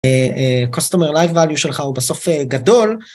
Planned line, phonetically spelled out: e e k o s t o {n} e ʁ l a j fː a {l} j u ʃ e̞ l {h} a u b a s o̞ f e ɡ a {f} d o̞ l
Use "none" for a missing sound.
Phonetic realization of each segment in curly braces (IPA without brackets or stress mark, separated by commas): m, l, χ, none